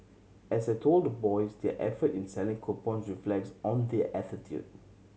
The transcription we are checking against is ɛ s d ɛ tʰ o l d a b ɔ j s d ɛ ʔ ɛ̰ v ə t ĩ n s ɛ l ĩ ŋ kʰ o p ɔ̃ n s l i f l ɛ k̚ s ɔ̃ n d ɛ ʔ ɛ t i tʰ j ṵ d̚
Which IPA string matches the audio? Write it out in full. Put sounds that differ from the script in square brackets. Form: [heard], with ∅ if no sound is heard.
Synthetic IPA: ɛ s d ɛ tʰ o l d [ə] b ɔ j s d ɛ ʔ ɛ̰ [f] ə t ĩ n s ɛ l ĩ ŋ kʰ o p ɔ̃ n s [ɹ] i f l ɛ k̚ s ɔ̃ n d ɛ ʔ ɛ t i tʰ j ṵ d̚